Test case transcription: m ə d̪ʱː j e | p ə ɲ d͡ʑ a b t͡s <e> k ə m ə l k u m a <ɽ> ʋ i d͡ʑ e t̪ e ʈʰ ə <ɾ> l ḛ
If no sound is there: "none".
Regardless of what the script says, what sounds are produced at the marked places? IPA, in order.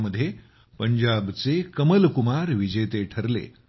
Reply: e, ɾ, ɾ

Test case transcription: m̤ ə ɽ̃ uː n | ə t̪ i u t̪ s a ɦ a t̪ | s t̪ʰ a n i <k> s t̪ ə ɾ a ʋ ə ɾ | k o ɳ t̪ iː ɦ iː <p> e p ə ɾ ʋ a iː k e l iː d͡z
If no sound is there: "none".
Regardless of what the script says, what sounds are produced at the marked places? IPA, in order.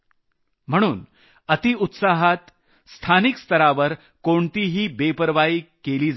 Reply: k, b

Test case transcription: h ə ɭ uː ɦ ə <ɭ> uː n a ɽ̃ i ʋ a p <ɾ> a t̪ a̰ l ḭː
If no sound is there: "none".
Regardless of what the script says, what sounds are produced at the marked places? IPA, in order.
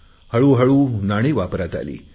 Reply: ɭ, ɾ

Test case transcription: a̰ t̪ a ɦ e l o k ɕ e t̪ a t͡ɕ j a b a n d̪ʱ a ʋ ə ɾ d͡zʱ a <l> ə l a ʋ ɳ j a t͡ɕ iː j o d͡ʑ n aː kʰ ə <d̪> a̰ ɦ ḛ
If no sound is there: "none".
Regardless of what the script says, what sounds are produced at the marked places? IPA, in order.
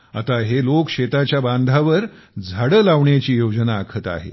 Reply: ɽ, t̪

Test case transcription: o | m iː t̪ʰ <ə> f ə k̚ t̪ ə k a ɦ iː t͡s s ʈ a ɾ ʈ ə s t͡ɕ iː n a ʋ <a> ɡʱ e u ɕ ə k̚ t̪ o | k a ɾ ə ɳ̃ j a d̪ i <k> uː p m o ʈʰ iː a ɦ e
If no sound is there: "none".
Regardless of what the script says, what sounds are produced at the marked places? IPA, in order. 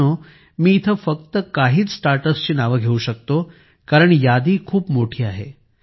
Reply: ə, ə, kʰ

